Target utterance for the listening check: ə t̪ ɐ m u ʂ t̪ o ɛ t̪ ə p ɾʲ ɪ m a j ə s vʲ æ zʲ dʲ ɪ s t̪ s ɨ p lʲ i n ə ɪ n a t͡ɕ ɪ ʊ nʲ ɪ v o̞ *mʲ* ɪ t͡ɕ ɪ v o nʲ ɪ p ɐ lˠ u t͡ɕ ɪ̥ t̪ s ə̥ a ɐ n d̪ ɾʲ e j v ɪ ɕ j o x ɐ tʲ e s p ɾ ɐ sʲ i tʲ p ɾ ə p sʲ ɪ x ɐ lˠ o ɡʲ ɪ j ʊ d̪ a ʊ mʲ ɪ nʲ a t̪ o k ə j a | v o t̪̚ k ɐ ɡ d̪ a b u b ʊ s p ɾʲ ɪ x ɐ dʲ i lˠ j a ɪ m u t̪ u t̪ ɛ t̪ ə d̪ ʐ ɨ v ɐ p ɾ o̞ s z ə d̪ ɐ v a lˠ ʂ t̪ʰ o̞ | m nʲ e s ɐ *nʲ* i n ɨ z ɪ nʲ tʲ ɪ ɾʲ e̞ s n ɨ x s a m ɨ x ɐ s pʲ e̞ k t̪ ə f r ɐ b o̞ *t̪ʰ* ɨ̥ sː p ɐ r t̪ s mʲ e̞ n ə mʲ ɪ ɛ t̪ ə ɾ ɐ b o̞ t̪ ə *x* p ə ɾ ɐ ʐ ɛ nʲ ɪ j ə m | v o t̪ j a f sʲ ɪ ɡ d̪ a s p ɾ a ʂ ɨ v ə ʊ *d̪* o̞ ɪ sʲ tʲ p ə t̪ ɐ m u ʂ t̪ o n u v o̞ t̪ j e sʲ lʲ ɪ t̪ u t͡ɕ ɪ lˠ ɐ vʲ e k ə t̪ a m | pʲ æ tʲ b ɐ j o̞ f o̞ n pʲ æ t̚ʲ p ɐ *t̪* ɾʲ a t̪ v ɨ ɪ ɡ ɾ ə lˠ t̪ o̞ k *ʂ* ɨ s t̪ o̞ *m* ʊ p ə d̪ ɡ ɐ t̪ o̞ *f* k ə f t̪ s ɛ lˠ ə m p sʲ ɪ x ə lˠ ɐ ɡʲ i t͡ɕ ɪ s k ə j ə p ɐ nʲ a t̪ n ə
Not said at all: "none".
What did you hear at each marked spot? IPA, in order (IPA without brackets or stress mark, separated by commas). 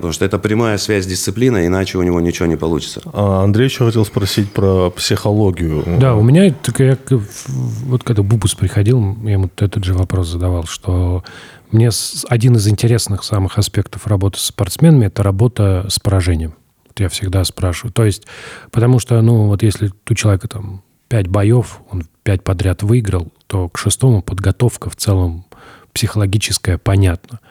nʲ, dʲ, t̪, s, t̪, d̪, ʂ, m, f